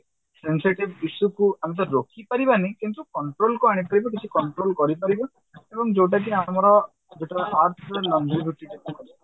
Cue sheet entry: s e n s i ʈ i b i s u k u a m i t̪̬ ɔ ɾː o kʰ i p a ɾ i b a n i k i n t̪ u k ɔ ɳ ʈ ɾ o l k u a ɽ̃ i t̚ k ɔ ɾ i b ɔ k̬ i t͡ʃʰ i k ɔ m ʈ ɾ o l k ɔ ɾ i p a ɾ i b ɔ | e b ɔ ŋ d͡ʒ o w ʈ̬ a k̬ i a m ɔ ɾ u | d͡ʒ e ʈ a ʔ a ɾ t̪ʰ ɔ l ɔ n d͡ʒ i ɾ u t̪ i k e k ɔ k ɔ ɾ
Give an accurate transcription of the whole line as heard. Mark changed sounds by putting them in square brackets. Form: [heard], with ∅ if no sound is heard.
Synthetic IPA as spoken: s e n s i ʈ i b i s u k u a m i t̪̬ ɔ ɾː o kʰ i p a ɾ i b a n i k i n t̪ u k ɔ ɳ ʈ ɾ o l k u a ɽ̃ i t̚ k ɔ ɾ i b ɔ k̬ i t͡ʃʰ i k ɔ [ɳ] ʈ ɾ o l k ɔ ɾ i p a ɾ i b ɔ | e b ɔ ŋ d͡ʒ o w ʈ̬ a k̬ i a m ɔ ɾ [ɔ] | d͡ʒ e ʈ a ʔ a ɾ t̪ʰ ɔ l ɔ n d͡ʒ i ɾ u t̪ i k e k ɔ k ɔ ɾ